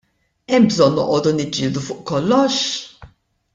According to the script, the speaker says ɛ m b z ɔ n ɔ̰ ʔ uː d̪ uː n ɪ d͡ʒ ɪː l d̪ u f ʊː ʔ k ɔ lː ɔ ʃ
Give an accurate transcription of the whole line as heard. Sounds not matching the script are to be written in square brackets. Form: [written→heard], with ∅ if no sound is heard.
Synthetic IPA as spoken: ɛ m b z ɔ [n→nː] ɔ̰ ʔ [uː→ɔː] d̪ [uː→u] n ɪ d͡ʒ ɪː l d̪ u f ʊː ʔ k ɔ lː ɔ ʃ